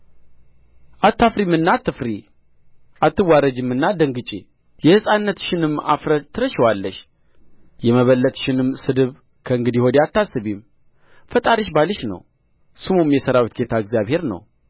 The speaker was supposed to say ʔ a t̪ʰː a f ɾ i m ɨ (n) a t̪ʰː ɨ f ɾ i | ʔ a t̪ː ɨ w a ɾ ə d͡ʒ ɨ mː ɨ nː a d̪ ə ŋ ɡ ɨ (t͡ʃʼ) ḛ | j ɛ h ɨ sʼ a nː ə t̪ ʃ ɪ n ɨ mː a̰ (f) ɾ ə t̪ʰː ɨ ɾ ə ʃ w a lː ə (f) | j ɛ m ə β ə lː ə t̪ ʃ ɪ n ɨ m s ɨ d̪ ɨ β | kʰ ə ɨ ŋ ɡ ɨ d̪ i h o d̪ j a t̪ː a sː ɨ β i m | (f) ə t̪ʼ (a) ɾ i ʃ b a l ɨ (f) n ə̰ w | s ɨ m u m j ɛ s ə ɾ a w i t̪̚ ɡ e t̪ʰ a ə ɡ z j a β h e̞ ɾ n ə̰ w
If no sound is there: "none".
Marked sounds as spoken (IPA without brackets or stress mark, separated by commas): nː, t͡ʃʼ, f, ʃ, f, a, ʃ